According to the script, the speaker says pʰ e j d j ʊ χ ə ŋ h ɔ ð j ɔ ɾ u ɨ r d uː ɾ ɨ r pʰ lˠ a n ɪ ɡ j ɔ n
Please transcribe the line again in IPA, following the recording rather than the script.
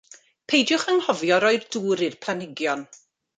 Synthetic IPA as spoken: pʰ e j d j ʊ χ ə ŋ h ɔ v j ɔ ɾ ɔ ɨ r d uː ɾ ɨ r pʰ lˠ a n ɪ ɡ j ɔ n